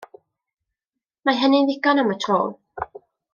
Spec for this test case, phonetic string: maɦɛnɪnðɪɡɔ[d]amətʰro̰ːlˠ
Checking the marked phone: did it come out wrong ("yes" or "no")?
yes